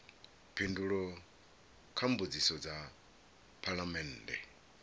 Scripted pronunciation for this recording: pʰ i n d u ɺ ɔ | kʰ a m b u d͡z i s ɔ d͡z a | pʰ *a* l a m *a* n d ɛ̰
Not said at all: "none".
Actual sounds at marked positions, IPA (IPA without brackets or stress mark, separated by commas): a, ɛ